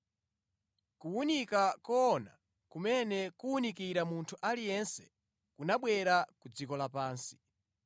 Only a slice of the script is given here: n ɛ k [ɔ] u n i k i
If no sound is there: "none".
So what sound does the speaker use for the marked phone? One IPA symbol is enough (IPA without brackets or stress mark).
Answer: u